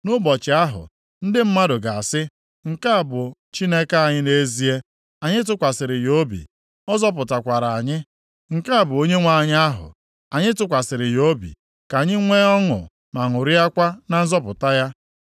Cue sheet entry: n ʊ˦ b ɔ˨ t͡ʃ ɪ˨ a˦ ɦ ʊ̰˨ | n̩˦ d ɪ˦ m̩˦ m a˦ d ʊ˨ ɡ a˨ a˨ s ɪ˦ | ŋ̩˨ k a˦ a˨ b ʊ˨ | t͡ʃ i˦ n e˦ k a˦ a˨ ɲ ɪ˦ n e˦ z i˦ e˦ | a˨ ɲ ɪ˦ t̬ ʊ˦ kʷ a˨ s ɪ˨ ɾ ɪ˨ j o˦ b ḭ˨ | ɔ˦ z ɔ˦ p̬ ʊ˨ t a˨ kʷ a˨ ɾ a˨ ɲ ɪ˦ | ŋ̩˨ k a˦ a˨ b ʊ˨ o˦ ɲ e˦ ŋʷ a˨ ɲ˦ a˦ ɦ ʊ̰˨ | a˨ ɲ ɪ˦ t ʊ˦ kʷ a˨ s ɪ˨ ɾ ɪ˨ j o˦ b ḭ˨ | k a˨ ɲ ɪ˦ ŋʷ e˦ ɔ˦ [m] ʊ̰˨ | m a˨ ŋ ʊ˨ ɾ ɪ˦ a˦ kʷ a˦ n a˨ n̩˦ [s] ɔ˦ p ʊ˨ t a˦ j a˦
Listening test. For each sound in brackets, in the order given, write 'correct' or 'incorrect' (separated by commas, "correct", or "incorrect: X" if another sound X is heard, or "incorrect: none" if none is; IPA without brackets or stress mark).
incorrect: ŋ, incorrect: z